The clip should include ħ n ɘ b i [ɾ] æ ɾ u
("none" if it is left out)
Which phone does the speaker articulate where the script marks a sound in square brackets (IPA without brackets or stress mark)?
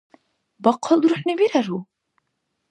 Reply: ɾ